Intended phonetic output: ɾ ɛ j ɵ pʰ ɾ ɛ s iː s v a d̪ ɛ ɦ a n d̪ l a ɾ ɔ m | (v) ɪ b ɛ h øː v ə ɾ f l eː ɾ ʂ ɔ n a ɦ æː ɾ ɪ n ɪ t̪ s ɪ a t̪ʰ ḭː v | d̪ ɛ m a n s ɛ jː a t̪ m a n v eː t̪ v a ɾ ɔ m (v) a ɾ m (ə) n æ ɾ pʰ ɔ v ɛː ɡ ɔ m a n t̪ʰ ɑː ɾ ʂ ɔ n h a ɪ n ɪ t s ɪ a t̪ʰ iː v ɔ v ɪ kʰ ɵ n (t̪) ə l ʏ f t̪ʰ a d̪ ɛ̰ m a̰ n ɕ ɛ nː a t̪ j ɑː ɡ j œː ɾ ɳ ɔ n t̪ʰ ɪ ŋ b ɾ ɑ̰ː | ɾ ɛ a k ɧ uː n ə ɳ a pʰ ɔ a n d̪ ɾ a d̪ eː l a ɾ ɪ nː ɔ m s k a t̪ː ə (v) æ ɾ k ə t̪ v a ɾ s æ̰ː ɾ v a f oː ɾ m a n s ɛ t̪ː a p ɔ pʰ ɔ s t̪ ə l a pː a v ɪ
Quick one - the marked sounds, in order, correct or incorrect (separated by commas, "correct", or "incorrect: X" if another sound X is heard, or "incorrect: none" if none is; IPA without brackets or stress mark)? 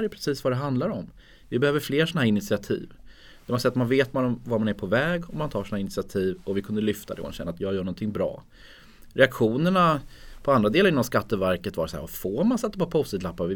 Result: correct, correct, incorrect: a, incorrect: d̪, correct